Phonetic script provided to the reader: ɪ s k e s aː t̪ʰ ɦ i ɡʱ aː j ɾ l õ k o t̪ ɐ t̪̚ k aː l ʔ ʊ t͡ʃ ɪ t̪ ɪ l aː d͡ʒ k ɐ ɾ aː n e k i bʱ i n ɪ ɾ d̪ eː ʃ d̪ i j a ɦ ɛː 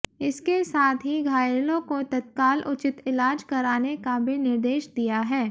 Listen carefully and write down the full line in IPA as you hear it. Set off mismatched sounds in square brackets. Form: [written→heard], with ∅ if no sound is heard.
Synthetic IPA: ɪ s k e s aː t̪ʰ ɦ i ɡʱ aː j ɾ l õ k o t̪ ɐ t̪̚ k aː l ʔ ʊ t͡ʃ ɪ t̪ ɪ l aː d͡ʒ k ɐ ɾ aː n e k [i→a] bʱ i n ɪ ɾ d̪ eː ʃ d̪ i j a ɦ ɛː